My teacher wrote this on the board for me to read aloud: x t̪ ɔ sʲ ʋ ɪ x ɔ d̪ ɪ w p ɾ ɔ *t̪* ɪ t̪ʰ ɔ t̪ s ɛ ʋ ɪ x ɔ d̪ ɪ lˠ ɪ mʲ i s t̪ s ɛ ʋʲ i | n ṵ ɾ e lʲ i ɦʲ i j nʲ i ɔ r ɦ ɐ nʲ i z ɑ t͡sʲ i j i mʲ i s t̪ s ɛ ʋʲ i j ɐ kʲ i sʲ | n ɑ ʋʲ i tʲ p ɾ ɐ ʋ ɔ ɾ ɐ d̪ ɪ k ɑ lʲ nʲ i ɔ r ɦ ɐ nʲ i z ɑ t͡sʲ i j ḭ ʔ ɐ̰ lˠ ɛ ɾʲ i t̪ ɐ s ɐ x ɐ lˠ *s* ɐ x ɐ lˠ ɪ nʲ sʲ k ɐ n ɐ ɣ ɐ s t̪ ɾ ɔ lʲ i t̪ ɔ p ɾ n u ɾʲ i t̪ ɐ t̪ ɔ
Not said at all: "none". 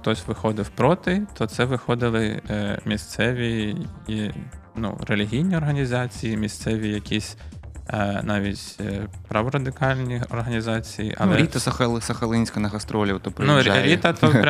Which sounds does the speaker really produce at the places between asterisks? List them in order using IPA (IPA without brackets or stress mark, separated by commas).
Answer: t̪, s